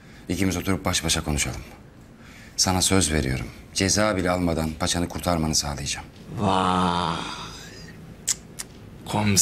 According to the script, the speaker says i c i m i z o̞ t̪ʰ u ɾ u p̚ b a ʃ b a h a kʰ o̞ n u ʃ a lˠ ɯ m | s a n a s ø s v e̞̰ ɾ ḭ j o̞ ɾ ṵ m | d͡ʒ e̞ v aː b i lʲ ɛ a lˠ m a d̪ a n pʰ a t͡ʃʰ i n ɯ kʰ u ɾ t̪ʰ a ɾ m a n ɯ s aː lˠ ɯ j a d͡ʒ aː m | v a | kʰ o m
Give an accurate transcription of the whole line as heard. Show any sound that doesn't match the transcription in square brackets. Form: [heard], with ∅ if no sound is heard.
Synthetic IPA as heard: i c i m i z o̞ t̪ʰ u ɾ u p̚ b a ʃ b a [ʃ] a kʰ o̞ n u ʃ a lˠ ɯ m | s a n a s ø [z] v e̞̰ ɾ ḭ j o̞ ɾ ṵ m | d͡ʒ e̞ [z] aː b i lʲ ɛ a lˠ m a d̪ a n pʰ a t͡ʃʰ [a] n ɯ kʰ u ɾ t̪ʰ a ɾ m a n ɯ s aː lˠ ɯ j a d͡ʒ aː m | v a | kʰ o m